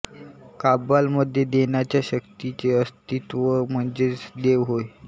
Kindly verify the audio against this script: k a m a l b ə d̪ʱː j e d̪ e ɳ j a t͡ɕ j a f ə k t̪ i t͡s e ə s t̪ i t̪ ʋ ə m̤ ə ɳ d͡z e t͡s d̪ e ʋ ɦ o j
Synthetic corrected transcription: k a b a l m ə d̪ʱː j e d̪ e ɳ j a t͡ɕ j a ɕ ə k t̪ i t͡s e ə s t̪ i t̪ ʋ ə m̤ ə ɳ d͡z e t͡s d̪ e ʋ ɦ o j